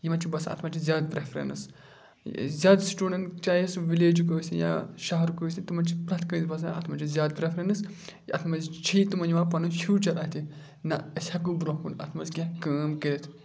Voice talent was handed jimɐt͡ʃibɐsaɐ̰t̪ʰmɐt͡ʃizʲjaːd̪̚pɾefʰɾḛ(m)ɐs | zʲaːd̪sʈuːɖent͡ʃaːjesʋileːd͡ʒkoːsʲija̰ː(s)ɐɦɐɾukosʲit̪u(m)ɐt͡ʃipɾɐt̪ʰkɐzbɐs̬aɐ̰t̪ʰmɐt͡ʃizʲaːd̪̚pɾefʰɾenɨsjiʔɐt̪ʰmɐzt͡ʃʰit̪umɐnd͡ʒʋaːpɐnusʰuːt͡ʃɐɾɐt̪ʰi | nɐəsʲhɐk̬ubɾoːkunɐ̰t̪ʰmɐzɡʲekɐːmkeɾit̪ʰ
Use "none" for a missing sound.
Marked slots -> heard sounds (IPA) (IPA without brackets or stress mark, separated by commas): n, ʃ, m